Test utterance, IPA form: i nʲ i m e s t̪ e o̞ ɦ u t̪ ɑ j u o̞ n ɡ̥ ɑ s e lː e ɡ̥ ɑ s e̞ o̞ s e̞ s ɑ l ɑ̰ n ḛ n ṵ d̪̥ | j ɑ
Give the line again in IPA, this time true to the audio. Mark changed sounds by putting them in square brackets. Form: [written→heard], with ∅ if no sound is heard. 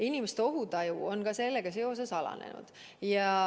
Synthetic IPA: i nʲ i m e s t̪ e o̞ ɦ u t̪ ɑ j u o̞ n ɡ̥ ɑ s e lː e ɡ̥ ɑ s e̞ o̞ s e̞ s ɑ l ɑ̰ n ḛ n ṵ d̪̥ | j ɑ